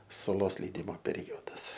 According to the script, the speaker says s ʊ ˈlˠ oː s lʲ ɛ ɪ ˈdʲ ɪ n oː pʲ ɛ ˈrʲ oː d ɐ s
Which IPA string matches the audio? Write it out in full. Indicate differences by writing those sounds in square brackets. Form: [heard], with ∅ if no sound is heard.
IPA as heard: s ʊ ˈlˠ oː s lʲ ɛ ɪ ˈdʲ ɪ [m] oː pʲ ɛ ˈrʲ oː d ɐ s